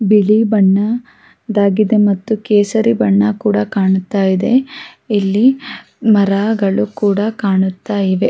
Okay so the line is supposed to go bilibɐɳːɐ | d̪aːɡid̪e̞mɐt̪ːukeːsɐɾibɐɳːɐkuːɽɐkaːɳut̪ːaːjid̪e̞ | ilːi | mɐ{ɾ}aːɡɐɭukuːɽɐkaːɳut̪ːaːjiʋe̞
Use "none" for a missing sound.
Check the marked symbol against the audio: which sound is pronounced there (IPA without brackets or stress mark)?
ɾ